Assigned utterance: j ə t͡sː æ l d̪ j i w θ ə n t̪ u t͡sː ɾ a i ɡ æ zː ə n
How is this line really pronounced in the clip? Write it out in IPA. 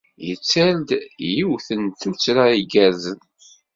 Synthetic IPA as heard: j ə t͡sː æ l d̪ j i w θ ə n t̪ u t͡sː ɾ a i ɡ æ z ə n